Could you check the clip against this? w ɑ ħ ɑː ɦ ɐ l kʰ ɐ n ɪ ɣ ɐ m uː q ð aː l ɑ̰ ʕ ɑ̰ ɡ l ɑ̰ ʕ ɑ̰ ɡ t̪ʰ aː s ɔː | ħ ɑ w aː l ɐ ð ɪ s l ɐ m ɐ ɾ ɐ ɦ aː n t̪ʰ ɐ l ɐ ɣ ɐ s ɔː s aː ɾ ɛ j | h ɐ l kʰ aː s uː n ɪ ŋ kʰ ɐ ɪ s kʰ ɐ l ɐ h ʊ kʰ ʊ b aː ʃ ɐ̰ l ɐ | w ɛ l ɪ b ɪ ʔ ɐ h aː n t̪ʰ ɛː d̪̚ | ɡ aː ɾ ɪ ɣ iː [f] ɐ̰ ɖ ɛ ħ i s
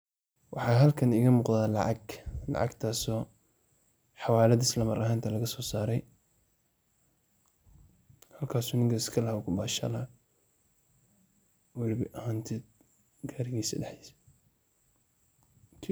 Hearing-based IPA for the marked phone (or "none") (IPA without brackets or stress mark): s